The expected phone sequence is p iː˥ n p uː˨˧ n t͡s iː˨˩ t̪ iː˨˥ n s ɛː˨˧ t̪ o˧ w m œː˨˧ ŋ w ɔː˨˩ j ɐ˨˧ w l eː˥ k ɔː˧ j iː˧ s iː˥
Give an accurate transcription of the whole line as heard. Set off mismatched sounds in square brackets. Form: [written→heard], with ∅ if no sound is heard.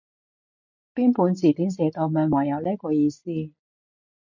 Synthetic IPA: p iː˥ n p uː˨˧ n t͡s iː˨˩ t̪ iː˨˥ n s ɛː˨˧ t̪ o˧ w m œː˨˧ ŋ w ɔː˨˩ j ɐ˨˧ w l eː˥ k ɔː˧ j iː˧ s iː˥